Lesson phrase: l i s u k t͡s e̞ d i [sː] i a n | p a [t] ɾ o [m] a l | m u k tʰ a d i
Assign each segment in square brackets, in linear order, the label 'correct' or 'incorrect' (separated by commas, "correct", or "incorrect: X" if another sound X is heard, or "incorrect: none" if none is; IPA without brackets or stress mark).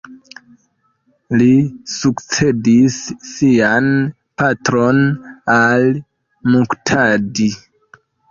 correct, correct, incorrect: n